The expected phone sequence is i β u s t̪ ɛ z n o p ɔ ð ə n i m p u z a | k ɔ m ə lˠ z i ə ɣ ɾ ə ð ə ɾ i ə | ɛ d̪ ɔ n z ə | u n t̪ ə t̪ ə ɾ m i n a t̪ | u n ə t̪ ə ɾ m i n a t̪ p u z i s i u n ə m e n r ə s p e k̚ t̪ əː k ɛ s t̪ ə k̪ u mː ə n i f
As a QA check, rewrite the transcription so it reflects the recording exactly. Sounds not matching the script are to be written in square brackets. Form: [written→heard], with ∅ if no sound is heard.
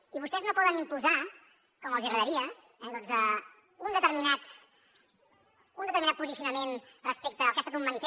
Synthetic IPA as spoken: i β u s t̪ ɛ z n o p ɔ ð ə n i m p u z a | k ɔ m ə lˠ z i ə ɣ ɾ ə ð ə ɾ i ə | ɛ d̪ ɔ n z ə | u n [t̪→d̪] ə t̪ ə ɾ m i n a t̪ | u n ə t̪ ə ɾ m i n a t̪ p u z i s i u n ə m e n r ə s p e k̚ t̪ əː k ɛ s t̪ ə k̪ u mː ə n i f